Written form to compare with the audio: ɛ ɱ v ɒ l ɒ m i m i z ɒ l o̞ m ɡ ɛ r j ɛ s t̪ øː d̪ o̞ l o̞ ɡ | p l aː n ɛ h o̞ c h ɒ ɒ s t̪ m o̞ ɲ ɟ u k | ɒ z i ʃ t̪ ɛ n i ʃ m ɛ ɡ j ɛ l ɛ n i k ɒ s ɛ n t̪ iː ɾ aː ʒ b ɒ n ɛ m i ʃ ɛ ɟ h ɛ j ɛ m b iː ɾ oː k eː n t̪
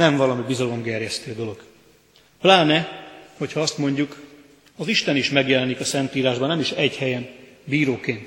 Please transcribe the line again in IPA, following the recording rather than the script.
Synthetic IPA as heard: ɛ ɱ v ɒ l ɒ m i b i z ɒ l o̞ m ɡ ɛ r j ɛ s t̪ øː d̪ o̞ l o̞ ɡ | p l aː n ɛ h o̞ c h ɒ ɒ s t̪ m o̞ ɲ ɟ u k | ɒ z i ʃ t̪ ɛ n i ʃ m ɛ ɡ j ɛ l ɛ n i k ɒ s ɛ n t̪ iː ɾ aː ʒ b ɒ n ɛ m i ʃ ɛ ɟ h ɛ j ɛ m b iː ɾ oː k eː n t̪